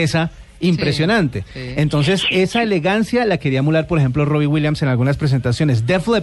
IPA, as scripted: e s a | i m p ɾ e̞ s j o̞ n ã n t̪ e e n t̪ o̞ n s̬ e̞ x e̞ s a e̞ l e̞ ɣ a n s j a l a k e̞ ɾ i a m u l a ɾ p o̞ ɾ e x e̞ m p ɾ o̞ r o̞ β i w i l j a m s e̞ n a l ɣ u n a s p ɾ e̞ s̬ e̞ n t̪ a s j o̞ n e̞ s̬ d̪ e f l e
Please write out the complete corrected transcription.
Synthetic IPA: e s a | i m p ɾ e̞ s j o̞ n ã n t̪ e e n t̪ o̞ n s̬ e̞ s e̞ s a e̞ l e̞ ɣ a n s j a l a k e̞ ɾ i a m u l a ɾ p o̞ ɾ e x e̞ m p l o̞ r o̞ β i w i l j a m s e̞ n a l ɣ u n a s p ɾ e̞ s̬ e̞ n t̪ a s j o̞ n e̞ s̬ d̪ e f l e